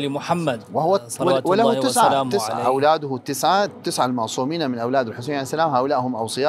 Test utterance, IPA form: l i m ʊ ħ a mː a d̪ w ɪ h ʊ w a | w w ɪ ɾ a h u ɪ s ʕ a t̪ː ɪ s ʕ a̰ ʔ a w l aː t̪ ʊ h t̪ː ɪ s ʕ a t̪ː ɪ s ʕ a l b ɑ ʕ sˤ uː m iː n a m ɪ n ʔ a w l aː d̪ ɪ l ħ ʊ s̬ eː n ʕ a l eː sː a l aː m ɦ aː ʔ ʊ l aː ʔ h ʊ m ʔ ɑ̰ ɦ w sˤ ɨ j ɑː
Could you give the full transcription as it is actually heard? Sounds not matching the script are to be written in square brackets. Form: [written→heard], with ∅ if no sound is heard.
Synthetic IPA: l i m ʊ ħ a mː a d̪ w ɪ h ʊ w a | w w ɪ [ɾ→l] a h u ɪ s ʕ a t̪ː ɪ s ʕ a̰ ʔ a w l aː [t̪→d̪] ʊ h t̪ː ɪ s ʕ a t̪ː ɪ s ʕ a l [b→m] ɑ ʕ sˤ uː m iː n a m ɪ n ʔ a w l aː d̪ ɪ l ħ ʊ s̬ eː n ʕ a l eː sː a l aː m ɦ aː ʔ ʊ l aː ʔ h ʊ m ʔ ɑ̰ [ɦ→∅] w sˤ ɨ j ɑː